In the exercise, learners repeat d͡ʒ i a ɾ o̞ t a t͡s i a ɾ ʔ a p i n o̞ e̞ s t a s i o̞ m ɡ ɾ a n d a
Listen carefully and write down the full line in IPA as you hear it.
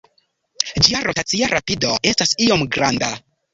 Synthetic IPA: d͡ʒ i a ɾ o̞ t a t͡s i a ɾ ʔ a p i d o̞ e̞ s t a s i o̞ m ɡ ɾ a n d a